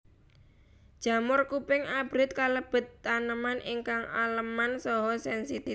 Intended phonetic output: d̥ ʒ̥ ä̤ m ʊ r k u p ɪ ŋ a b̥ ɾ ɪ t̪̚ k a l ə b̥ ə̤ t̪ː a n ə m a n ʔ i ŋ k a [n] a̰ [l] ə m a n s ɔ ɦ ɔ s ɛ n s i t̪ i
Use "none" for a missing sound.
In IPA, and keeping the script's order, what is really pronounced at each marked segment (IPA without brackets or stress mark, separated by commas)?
ŋ, l